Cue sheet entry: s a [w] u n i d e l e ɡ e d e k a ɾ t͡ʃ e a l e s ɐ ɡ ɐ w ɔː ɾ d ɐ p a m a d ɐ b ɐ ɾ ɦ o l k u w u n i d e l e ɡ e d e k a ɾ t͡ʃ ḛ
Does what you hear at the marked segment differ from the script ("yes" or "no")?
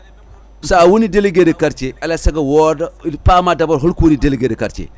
no